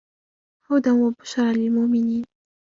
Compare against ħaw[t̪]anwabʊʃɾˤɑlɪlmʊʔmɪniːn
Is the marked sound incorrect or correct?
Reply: incorrect